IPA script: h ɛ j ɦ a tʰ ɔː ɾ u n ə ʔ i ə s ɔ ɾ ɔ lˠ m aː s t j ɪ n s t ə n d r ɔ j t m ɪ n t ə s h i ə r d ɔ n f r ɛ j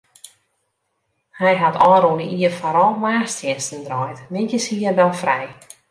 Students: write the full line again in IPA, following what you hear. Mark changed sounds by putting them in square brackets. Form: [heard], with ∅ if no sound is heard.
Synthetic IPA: h ɛ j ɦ a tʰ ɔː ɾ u n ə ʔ i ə [f] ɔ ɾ ɔ lˠ m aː s t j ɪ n s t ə n d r ɔ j t m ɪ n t ə s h i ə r d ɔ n f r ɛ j